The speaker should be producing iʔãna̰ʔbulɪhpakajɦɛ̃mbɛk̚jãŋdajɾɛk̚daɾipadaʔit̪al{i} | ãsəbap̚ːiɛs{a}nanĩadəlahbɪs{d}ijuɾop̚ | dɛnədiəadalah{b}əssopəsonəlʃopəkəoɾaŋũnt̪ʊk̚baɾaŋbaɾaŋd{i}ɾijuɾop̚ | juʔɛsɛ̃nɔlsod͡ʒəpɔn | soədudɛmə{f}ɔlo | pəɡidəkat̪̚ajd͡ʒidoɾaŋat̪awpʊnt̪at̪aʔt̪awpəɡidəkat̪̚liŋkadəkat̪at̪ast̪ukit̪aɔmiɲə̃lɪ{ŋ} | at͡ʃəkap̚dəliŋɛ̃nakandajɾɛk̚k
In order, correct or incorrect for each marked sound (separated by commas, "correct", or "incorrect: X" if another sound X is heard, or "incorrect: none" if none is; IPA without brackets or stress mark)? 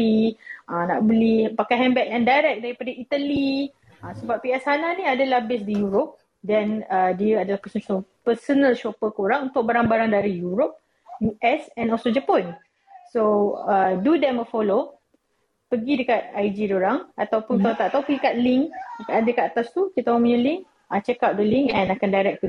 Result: correct, correct, correct, incorrect: p, incorrect: a, correct, correct